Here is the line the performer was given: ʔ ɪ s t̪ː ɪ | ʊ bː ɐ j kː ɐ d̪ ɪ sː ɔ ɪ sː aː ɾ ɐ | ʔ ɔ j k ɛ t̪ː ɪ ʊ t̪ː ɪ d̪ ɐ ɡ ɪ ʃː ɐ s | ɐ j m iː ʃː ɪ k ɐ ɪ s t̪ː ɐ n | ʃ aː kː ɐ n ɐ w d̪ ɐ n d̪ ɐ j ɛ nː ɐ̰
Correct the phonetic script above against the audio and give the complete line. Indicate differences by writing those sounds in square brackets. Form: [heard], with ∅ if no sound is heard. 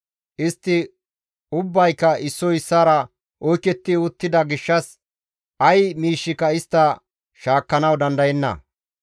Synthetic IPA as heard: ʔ ɪ s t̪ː ɪ | ʊ bː ɐ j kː ɐ [∅] ɪ sː ɔ ɪ sː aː ɾ ɐ | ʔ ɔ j k ɛ t̪ː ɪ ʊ t̪ː ɪ d̪ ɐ ɡ ɪ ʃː ɐ s | ɐ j m iː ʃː ɪ k ɐ ɪ s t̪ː ɐ [∅] | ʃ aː kː ɐ n ɐ w d̪ ɐ n d̪ ɐ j ɛ nː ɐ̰